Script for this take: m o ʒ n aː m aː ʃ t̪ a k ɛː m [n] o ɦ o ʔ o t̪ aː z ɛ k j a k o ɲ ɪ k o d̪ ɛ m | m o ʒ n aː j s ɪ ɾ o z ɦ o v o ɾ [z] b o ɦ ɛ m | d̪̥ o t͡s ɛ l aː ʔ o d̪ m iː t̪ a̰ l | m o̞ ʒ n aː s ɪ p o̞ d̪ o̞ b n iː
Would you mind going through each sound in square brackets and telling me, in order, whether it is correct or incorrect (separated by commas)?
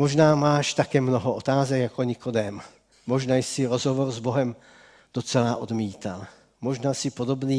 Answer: correct, correct